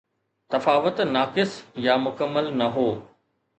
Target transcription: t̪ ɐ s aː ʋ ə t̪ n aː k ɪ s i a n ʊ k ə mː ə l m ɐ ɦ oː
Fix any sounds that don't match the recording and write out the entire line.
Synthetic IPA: t̪ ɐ f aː ʋ ə t̪ n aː k ɪ s j a m ʊ k ə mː ə l n ɐ ɦ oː